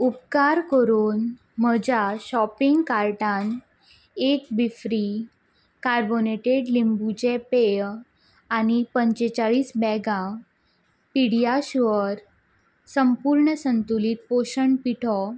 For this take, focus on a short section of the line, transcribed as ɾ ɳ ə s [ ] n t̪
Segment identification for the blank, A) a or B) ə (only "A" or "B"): B